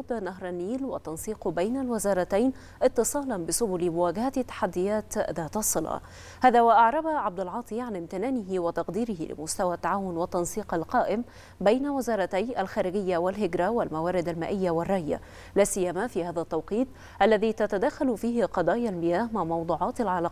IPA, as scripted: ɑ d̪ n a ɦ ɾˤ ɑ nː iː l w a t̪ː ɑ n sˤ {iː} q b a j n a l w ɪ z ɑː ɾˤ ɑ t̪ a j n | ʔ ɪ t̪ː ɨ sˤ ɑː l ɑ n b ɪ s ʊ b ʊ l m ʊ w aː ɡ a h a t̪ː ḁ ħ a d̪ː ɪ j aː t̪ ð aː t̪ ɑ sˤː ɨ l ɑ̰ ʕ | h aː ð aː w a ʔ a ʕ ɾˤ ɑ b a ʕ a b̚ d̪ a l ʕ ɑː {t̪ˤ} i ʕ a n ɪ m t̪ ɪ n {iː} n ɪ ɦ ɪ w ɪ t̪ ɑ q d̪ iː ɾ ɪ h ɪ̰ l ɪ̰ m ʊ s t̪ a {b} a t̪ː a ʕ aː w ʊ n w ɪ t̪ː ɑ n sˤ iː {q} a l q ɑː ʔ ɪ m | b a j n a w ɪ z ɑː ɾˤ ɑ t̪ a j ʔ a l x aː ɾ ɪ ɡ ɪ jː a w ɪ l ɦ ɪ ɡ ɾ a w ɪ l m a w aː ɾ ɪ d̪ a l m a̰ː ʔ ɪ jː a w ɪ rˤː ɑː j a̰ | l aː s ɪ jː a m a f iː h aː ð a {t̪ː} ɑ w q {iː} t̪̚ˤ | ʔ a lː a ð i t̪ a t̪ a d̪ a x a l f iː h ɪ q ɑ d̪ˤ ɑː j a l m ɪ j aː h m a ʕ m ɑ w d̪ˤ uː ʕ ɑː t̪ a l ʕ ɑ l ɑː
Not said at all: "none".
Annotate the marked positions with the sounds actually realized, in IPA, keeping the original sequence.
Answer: iː, t̪ˤ, aː, w, q, t̪ː, iː

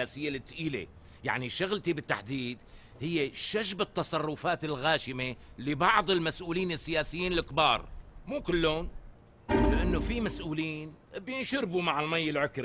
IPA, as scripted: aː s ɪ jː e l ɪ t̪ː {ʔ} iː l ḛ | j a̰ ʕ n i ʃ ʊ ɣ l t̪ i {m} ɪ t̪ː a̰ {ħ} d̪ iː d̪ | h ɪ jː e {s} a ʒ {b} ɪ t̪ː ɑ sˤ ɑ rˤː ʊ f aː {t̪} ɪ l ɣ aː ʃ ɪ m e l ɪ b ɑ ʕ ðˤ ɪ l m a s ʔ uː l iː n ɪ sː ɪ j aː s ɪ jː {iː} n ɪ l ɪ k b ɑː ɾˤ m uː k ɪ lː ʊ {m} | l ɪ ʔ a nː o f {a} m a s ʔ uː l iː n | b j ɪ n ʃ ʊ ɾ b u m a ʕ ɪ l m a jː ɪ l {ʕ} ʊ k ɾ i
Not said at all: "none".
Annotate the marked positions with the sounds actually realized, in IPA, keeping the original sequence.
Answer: ʔ, b, ħ, ʃ, b, t̪, iː, n, i, ʕ

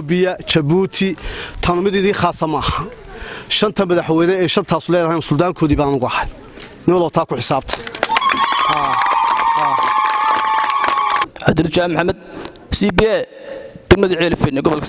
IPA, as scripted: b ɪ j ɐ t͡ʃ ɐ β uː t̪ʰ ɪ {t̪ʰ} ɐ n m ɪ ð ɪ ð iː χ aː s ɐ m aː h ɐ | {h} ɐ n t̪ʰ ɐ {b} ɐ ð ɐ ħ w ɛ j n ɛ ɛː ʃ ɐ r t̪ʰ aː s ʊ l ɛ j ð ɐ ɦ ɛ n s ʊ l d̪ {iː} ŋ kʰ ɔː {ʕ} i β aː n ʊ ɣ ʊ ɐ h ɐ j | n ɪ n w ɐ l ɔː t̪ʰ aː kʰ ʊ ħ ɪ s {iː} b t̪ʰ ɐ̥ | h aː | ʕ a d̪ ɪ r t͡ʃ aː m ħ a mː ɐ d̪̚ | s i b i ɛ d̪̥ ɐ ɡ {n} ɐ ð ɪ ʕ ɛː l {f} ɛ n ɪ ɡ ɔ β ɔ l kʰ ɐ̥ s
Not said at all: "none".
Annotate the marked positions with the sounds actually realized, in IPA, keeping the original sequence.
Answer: t̪ʰ, ʃ, m, aː, ð, aː, m, f

